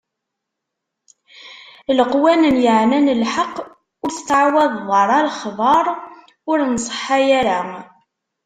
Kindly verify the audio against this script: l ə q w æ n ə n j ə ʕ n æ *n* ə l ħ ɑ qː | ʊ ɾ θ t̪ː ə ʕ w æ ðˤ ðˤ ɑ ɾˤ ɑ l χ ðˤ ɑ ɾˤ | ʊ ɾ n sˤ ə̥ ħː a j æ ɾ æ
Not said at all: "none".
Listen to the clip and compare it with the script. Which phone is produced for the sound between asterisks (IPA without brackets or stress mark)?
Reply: n